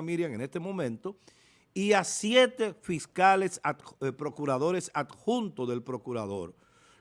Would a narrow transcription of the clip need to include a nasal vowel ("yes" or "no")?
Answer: yes